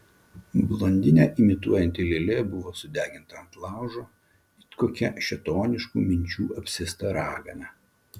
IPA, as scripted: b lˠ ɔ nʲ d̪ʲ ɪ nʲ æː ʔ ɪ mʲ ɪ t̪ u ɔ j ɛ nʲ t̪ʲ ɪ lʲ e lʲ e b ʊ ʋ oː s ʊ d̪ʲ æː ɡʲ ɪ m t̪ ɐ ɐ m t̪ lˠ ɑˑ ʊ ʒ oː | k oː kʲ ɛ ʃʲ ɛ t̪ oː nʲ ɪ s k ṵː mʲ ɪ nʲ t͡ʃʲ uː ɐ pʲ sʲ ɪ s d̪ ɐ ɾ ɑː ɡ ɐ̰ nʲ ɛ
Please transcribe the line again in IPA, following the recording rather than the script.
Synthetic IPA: b lˠ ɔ nʲ d̪ʲ ɪ nʲ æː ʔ ɪ mʲ ɪ t̪ u ɔ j ɛ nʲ t̪ʲ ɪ lʲ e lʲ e b ʊ ʋ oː s ʊ d̪ʲ æː ɡʲ ɪ n t̪ ɐ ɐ n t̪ lˠ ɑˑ ʊ ʒ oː | k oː kʲ ɛ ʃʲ ɛ t̪ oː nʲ ɪ ʃ k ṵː mʲ ɪ nʲ t͡ʃʲ uː ɐ pʲ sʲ ɪ s t̪ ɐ ɾ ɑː ɡ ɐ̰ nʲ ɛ